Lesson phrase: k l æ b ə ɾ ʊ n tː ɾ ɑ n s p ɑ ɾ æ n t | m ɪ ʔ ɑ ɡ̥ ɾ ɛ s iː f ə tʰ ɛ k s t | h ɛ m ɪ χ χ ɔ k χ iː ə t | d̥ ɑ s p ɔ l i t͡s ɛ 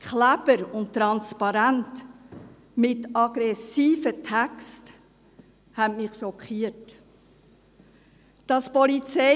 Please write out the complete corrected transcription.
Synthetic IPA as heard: k l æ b ə ɾ ʊ n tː ɾ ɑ n s p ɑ ɾ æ n t | m ɪ t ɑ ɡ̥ ɾ ɛ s iː f ə tʰ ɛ k s t | h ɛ m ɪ χ ʃ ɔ k χ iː ə t | d̥ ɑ s p ɔ l i t͡s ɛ